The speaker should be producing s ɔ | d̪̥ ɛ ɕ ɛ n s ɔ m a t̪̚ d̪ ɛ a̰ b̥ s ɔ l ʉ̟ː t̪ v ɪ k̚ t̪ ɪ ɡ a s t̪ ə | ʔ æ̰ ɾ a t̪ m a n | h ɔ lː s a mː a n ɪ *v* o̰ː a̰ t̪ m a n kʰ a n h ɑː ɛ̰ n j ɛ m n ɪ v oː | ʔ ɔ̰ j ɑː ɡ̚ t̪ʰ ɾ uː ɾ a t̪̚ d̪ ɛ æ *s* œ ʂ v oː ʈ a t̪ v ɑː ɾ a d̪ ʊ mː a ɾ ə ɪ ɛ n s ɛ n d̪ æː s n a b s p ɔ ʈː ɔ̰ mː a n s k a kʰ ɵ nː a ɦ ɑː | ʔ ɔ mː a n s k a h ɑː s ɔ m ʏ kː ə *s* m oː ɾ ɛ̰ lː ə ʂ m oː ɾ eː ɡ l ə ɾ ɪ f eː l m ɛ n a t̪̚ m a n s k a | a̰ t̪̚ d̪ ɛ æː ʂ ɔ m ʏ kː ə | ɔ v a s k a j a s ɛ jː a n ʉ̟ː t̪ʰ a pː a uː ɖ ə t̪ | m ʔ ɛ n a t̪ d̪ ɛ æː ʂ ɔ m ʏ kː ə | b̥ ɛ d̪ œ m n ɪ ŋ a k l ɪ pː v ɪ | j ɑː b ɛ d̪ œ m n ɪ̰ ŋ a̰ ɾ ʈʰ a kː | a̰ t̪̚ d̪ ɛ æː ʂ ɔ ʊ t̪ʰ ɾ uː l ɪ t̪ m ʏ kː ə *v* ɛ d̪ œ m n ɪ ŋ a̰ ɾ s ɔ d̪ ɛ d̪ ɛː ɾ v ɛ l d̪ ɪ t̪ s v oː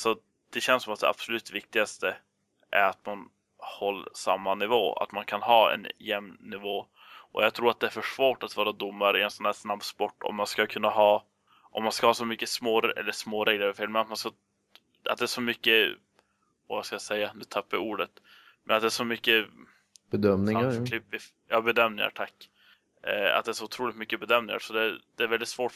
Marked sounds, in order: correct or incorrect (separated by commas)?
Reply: correct, incorrect, correct, incorrect